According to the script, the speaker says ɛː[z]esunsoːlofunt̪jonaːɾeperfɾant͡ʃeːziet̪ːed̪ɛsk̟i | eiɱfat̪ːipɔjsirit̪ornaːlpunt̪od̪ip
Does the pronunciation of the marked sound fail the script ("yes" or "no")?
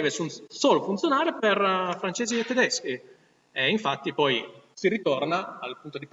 yes